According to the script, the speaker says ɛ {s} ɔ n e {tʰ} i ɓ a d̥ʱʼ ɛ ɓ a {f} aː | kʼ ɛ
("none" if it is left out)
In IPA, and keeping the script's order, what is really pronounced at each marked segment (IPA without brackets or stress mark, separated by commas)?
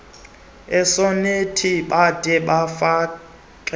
s, tʰ, f